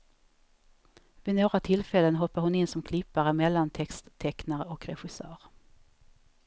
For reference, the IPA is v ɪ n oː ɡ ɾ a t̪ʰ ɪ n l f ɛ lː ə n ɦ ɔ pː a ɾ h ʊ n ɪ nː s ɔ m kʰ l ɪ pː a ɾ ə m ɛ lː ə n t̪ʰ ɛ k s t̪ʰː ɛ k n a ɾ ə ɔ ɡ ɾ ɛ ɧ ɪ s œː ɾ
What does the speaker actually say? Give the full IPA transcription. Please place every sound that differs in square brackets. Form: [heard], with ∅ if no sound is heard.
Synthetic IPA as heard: v ɪ n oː ɡ ɾ a t̪ʰ ɪ [∅] l f ɛ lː ə n ɦ ɔ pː a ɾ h ʊ n ɪ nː s ɔ m kʰ l ɪ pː a ɾ ə m ɛ lː [a] n t̪ʰ ɛ k s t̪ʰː ɛ k n a ɾ ə ɔ [k] ɾ ɛ ɧ ɪ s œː ɾ